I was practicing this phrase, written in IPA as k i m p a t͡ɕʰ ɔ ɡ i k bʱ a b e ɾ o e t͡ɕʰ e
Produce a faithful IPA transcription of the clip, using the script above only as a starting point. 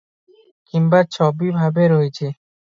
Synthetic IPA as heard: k i m b a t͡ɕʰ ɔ b i bʱ a b e ɾ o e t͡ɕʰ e